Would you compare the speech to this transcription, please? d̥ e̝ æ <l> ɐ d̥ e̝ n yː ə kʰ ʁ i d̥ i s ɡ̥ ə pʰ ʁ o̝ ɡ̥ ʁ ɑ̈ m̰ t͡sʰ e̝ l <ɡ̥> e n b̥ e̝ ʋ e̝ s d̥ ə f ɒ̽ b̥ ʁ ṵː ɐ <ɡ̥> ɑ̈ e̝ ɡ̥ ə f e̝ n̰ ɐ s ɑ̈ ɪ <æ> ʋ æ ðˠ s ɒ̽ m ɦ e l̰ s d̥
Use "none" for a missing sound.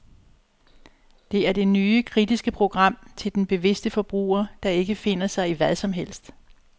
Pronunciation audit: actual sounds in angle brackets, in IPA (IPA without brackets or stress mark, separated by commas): none, d̥, d̥, i